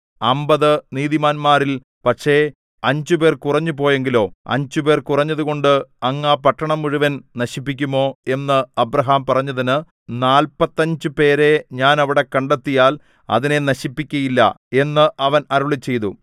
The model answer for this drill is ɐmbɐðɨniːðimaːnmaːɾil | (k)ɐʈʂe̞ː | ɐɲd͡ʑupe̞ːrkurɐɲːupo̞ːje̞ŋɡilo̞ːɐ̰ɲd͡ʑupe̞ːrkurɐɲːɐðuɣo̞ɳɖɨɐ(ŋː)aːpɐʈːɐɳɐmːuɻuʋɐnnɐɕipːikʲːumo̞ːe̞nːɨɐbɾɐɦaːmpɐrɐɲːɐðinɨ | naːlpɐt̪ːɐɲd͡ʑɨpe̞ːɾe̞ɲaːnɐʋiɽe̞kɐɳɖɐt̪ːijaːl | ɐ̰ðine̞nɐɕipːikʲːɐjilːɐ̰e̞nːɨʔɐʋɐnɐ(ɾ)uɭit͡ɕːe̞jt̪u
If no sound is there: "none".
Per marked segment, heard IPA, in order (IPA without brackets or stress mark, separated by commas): p, ŋː, ɾ